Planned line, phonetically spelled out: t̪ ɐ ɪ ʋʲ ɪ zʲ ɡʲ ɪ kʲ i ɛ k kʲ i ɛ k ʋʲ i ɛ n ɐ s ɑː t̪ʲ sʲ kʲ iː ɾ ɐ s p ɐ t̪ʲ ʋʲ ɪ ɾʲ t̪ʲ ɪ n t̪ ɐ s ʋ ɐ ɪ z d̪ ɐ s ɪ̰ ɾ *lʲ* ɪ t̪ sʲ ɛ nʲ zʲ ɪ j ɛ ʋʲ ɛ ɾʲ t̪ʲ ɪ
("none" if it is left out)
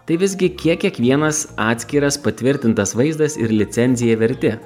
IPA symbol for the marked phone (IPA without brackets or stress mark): lʲ